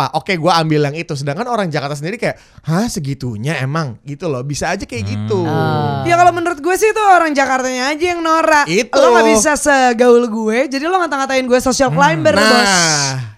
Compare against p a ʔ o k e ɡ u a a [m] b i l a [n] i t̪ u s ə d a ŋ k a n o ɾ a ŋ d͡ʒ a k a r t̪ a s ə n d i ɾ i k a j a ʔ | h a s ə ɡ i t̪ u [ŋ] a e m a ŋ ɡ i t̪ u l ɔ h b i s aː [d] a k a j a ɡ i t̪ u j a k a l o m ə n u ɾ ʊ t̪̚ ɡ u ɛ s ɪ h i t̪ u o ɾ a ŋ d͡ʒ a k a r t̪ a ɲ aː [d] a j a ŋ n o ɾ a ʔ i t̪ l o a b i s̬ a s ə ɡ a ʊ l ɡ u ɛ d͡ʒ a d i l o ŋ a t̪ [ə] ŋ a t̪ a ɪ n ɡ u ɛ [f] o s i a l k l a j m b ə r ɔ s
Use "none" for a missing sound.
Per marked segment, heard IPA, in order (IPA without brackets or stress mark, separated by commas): m, ŋ, ɲ, d͡ʒ, d͡ʒ, a, s